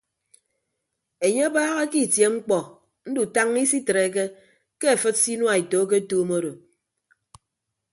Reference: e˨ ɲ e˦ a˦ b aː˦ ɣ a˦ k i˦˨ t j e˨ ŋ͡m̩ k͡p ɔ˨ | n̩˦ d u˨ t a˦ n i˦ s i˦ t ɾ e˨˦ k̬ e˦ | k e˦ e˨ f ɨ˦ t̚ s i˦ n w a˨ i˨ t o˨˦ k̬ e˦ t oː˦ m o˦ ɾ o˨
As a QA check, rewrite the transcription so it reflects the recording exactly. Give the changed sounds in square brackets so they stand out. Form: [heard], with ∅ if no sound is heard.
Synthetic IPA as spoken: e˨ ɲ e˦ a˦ b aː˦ ɣ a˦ k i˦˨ t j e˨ ŋ͡m̩ k͡p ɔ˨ | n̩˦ d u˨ t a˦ [ŋ] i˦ s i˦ t ɾ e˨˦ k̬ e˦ | k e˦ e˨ f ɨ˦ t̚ s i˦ n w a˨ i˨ t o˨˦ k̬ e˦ t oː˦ m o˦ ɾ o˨